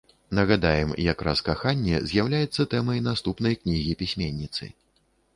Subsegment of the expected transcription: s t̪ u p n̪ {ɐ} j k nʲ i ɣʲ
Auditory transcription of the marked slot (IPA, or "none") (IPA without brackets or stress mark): ɐ